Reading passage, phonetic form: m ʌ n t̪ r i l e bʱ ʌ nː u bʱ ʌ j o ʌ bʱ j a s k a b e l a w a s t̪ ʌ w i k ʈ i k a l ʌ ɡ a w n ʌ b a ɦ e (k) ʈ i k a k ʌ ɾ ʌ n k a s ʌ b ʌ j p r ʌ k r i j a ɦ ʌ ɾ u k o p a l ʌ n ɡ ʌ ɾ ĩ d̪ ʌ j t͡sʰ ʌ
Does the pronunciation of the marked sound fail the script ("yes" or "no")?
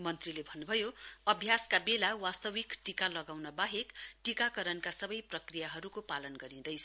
no